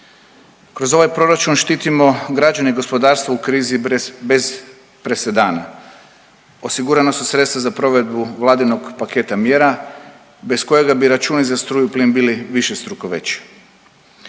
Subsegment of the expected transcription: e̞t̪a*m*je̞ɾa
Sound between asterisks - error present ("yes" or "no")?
no